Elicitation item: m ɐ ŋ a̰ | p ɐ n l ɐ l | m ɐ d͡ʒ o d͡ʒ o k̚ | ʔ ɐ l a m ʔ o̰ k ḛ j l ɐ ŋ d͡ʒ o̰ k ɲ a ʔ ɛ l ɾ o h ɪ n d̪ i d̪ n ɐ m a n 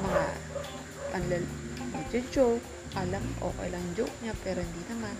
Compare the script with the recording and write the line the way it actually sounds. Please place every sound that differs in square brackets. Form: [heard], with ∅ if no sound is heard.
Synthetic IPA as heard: m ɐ ŋ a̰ | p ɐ n l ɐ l | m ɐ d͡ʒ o d͡ʒ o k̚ | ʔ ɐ l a m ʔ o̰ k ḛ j l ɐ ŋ d͡ʒ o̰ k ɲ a [p] ɛ [∅] ɾ o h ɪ n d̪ i [∅] n ɐ m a n